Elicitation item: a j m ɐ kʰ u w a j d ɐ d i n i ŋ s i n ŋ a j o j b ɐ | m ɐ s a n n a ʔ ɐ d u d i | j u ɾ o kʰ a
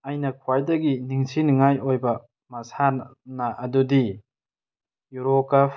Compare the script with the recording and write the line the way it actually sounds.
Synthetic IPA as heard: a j n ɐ kʰ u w a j d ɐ ɡ i n i ŋ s i n ŋ a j o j b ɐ | m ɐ s a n n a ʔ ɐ d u d i | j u ɾ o k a